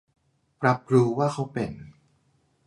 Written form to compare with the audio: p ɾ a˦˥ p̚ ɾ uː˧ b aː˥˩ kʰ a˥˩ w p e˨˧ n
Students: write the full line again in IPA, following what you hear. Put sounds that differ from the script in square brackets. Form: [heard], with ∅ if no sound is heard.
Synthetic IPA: p ɾ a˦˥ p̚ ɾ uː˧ [w] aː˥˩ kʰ [a˦˥] w p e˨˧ n